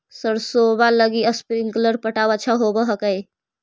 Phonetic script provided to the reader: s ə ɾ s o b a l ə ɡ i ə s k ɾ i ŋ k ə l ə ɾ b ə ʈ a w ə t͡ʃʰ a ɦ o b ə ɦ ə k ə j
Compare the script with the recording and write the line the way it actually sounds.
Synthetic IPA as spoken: s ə ɾ s o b a l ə ɡ i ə s p ɾ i ŋ k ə l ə ɾ p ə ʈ a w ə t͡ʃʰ a ɦ o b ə ɦ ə k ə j